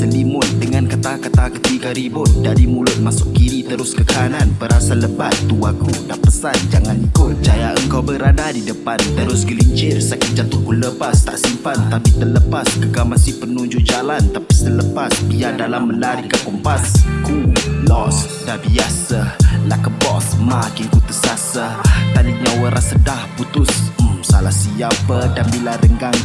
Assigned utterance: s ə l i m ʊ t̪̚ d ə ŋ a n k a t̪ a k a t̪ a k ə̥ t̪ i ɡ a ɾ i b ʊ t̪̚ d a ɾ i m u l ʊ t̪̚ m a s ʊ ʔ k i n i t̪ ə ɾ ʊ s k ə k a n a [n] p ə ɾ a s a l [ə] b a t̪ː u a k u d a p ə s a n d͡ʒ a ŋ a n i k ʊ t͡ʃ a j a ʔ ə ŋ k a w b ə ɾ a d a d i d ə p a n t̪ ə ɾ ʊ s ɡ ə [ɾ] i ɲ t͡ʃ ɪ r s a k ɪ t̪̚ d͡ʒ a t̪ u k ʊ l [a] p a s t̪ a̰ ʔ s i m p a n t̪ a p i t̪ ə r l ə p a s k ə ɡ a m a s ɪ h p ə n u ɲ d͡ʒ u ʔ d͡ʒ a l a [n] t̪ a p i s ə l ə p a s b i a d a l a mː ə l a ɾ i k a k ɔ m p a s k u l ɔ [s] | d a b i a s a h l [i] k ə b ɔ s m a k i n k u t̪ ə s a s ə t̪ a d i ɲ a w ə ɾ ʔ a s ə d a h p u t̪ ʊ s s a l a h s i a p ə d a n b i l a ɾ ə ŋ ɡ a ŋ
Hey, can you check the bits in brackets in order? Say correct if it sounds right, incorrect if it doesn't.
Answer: correct, correct, incorrect, incorrect, correct, correct, incorrect

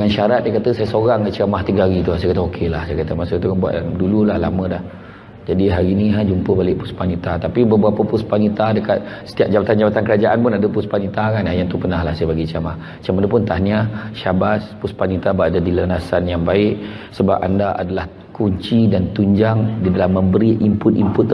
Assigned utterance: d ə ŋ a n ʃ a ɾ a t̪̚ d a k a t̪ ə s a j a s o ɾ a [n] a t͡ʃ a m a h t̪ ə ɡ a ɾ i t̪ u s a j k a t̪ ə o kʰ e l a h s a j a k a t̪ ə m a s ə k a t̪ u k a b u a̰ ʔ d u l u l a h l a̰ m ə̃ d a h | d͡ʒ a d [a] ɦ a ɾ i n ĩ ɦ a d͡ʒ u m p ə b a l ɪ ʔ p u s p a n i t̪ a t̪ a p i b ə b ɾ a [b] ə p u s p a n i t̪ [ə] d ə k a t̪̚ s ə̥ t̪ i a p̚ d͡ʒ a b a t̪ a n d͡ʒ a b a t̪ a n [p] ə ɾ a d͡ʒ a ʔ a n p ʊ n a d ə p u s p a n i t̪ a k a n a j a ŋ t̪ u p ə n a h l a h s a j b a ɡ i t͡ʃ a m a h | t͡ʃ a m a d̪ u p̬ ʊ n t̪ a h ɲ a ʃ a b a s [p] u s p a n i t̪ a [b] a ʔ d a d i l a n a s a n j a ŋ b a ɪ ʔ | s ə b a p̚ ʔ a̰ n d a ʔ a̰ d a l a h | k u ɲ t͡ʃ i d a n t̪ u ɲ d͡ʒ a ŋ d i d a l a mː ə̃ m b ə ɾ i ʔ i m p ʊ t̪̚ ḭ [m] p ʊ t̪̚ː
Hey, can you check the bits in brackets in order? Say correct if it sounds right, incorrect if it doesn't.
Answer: incorrect, incorrect, incorrect, incorrect, incorrect, correct, correct, correct

